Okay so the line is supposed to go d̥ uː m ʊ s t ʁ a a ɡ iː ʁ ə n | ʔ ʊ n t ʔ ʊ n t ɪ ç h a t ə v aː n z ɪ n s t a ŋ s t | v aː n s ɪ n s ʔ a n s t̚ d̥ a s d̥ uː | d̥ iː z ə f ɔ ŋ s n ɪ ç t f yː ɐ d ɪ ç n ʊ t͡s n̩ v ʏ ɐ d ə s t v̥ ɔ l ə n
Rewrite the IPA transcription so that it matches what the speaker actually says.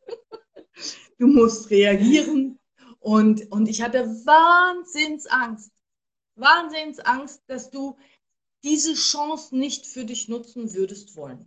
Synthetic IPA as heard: d̥ uː m ʊ s t ʁ e a ɡ iː ʁ ə n | ʔ ʊ n t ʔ ʊ n t ɪ ç h a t ə v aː n z ɪ n s ʔ a ŋ s t | v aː n z ɪ n s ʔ a ŋ s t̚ d̥ a s d̥ uː | d̥ iː z ə ʃ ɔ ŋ s n ɪ ç t f yː ɐ d ɪ ç n ʊ t͡s n̩ v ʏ ɐ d ə s t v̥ ɔ l ə n